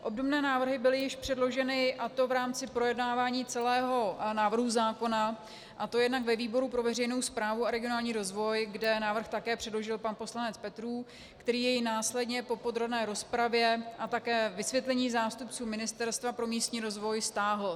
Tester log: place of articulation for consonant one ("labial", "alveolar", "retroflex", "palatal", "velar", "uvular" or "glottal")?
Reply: glottal